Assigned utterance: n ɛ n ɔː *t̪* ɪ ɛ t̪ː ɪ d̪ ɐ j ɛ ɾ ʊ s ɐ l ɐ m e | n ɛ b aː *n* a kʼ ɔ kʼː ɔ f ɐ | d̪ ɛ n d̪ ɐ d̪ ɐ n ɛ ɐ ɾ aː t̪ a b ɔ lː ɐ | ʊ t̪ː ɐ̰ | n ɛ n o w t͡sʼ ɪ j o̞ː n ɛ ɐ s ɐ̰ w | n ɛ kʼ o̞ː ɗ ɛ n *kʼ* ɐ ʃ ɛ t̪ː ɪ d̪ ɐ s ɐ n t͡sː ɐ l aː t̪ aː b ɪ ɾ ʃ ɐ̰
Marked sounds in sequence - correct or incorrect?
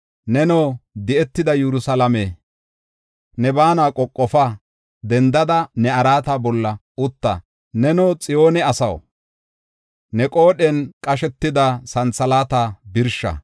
incorrect: d̪, correct, correct

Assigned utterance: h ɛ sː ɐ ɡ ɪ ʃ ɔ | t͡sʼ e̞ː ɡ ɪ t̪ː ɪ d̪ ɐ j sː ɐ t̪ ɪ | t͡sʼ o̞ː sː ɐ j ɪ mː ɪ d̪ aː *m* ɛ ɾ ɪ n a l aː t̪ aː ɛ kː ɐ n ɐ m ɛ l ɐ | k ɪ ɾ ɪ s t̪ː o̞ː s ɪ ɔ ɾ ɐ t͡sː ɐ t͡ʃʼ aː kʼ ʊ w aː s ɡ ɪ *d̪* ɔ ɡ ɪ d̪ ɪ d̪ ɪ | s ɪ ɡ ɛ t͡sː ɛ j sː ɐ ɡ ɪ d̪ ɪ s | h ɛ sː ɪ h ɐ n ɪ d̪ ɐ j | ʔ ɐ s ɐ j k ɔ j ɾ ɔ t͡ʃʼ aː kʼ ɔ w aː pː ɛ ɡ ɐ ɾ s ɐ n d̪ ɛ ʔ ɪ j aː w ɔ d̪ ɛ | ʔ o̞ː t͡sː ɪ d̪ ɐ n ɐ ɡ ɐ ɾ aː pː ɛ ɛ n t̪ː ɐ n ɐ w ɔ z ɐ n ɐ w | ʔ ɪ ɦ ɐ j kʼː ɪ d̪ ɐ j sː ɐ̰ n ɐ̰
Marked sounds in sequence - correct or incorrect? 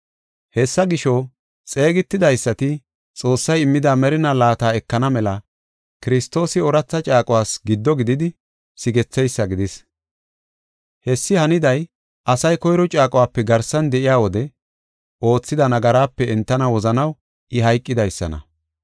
correct, incorrect: d̪ː

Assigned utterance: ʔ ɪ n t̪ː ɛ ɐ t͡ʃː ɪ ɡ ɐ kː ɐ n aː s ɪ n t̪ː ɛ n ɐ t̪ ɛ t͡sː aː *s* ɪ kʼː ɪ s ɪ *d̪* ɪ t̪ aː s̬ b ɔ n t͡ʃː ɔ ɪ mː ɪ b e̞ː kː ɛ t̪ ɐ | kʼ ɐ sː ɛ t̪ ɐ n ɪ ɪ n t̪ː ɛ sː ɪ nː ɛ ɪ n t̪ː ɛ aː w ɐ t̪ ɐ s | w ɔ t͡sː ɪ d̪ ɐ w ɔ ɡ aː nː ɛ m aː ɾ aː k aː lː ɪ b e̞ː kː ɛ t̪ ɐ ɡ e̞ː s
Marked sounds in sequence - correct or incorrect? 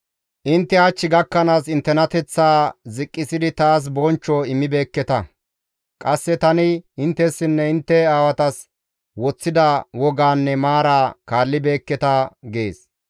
incorrect: z, correct

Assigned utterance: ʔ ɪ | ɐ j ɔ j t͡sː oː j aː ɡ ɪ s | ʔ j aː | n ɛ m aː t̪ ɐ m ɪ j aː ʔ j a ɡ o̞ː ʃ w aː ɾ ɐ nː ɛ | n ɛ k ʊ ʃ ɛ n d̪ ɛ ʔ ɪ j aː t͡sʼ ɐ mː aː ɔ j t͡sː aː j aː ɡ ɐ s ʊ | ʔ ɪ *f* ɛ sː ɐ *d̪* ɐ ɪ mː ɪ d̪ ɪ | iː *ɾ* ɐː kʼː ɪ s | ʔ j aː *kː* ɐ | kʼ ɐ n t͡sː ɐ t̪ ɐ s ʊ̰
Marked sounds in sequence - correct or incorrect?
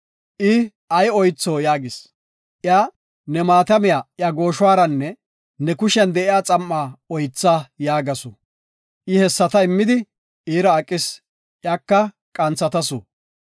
incorrect: h, incorrect: t̪, correct, correct

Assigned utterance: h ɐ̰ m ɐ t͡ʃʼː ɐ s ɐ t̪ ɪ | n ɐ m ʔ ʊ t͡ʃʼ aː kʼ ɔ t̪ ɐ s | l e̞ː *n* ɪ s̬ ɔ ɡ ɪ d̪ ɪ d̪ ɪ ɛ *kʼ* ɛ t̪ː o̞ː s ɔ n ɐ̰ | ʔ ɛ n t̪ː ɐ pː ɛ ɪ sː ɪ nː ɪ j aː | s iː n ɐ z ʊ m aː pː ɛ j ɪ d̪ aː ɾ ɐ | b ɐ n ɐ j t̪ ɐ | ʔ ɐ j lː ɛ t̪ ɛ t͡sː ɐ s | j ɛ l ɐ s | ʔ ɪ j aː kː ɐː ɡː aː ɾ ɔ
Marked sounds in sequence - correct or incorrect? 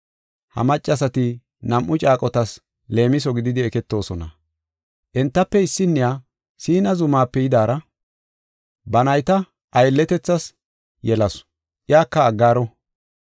incorrect: m, incorrect: k

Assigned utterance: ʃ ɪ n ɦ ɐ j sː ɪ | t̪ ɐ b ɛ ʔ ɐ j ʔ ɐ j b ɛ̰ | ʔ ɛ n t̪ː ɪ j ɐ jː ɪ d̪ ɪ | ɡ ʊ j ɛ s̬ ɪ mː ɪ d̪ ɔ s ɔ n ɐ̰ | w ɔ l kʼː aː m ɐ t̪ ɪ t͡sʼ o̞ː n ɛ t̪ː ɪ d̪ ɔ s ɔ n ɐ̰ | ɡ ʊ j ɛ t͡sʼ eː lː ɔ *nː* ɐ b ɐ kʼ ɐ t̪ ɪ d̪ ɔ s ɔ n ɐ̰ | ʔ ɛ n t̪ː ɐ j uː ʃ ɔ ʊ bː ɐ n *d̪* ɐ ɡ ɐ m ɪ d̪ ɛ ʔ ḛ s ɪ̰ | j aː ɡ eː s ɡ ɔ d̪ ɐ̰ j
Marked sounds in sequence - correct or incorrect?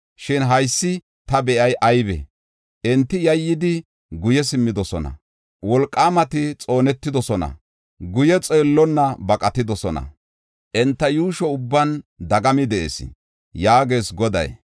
correct, correct

